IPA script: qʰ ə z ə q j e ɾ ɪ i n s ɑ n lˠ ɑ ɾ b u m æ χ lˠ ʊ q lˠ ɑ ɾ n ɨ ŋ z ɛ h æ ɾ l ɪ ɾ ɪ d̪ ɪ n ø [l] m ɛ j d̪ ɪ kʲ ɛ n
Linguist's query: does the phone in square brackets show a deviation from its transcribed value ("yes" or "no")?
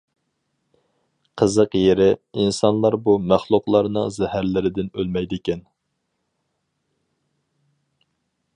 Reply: no